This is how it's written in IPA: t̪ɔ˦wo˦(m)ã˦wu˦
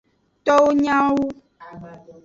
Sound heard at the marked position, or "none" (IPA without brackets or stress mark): ɲ